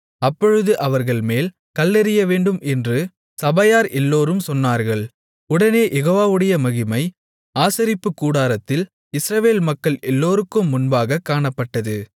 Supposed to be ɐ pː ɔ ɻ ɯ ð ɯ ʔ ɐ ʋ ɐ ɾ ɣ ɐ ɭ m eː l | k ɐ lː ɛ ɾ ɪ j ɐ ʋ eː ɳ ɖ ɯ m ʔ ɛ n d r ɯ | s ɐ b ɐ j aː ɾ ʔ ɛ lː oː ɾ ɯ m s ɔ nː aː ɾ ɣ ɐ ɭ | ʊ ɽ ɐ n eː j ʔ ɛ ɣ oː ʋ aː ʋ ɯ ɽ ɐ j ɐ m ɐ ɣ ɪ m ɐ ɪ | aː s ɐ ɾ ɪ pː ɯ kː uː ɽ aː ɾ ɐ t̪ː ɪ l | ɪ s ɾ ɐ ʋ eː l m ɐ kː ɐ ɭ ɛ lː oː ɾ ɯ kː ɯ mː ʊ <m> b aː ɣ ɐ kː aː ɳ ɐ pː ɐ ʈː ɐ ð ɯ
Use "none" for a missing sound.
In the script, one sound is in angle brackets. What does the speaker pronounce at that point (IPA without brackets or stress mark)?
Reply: n